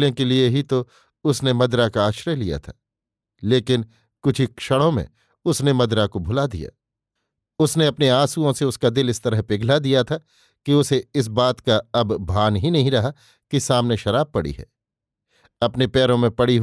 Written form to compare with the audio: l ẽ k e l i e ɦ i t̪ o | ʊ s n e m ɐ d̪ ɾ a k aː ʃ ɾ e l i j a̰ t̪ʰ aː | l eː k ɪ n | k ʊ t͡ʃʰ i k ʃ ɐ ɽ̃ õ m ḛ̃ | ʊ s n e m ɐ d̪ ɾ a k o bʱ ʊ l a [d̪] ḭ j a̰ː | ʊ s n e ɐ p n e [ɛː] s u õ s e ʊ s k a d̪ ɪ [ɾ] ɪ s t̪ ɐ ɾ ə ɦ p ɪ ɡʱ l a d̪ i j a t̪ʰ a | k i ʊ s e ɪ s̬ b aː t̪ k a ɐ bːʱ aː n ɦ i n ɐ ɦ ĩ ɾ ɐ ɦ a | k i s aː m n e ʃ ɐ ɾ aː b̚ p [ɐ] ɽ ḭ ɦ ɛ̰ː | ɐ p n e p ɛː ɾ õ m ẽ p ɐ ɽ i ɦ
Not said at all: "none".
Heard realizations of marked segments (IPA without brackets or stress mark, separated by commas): d̪, aː, l, ɐ